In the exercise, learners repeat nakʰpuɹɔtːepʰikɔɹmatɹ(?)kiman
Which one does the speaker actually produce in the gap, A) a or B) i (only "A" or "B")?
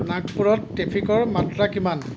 A